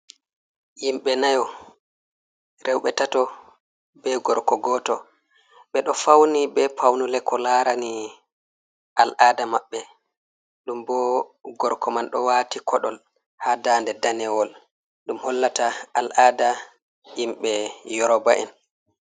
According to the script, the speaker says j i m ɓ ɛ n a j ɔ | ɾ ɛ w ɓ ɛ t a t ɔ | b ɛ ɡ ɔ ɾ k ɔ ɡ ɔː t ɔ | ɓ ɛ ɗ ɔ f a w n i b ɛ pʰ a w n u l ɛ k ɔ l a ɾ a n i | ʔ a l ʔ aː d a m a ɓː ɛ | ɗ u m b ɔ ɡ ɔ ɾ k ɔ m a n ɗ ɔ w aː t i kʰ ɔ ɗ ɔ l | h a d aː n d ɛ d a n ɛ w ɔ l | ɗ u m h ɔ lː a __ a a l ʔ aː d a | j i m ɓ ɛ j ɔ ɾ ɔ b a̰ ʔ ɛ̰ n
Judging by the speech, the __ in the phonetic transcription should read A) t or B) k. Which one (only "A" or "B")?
A